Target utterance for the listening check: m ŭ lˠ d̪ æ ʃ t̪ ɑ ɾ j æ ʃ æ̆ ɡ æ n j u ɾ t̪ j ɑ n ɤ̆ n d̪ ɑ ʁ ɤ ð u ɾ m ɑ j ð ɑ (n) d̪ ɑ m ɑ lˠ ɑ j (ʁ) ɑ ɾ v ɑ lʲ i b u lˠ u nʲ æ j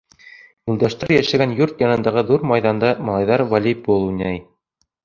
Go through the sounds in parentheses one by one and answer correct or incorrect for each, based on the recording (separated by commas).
correct, incorrect